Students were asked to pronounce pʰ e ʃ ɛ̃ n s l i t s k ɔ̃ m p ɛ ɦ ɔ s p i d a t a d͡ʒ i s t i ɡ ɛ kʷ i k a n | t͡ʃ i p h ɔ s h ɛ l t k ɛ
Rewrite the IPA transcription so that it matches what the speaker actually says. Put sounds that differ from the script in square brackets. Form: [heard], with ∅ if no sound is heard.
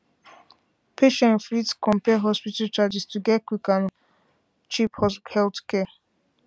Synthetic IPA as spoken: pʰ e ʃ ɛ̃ n [f] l i t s k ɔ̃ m p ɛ ɦ ɔ s p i [t] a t a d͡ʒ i s t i ɡ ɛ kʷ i k a n | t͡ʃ i p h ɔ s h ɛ l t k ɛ